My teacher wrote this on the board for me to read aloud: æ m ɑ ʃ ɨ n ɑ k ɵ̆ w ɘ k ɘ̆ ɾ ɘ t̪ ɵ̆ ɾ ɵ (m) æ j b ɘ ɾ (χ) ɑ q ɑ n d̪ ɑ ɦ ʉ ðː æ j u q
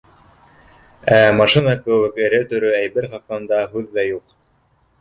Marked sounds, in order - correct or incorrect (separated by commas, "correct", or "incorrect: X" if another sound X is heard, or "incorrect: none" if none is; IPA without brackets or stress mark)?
incorrect: none, correct